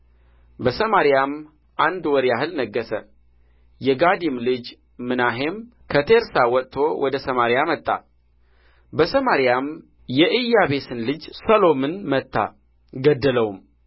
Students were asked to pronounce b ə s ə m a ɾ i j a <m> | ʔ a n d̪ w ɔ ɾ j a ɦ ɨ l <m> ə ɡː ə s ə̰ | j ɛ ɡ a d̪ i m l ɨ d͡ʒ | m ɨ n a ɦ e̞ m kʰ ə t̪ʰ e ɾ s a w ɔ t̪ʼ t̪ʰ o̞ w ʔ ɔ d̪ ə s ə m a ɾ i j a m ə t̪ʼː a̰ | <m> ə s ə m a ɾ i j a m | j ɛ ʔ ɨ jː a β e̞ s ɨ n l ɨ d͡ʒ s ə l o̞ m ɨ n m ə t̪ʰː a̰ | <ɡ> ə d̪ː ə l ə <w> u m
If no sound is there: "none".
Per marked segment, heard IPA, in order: m, n, b, ɡ, w

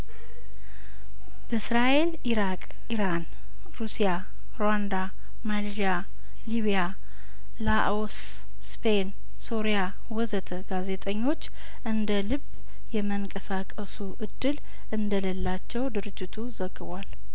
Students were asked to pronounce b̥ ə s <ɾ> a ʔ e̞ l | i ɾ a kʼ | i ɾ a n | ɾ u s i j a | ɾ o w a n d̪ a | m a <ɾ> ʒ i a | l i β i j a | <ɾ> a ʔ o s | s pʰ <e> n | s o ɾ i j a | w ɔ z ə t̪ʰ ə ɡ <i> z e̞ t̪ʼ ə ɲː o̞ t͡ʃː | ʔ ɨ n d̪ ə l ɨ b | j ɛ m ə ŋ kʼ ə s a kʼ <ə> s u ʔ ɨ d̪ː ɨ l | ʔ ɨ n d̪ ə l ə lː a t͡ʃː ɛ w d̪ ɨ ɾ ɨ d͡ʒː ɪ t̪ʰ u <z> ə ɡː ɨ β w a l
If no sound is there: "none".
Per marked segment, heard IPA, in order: ɾ, l, l, e, a, ə, z

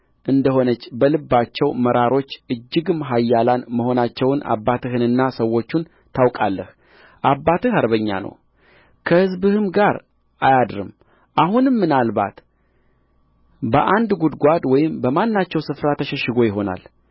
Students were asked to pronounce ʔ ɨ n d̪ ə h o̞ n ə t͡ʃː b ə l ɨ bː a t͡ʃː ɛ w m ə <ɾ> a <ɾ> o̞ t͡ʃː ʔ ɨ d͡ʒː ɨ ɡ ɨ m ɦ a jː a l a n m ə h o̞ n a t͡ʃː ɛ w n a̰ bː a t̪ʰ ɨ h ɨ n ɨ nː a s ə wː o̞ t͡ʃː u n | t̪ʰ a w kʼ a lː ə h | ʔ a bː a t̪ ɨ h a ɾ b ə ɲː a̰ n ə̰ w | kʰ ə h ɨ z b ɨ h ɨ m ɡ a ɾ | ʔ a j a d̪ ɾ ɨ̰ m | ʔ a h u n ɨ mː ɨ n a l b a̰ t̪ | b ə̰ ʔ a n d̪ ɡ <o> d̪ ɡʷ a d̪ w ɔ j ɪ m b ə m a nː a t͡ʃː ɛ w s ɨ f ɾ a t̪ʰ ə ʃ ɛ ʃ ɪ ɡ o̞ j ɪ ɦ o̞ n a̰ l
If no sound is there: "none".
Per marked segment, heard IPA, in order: ɾ, ɾ, u

